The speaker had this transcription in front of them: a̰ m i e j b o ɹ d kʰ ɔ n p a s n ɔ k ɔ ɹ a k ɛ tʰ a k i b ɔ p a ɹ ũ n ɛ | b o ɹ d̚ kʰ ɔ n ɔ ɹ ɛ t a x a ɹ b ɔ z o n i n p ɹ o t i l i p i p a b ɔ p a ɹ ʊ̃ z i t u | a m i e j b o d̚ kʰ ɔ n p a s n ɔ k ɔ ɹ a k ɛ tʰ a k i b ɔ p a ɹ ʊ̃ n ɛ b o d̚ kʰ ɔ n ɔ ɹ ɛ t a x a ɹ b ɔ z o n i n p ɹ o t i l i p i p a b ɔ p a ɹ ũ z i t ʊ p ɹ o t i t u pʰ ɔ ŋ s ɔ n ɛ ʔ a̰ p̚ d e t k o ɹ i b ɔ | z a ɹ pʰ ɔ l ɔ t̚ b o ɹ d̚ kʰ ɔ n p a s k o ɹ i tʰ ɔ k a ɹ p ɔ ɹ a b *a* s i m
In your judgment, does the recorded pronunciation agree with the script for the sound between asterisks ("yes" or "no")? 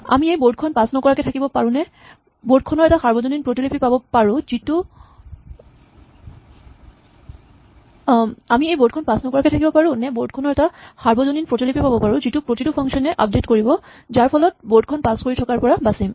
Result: yes